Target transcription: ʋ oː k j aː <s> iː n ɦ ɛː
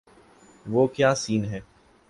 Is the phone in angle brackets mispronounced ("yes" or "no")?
no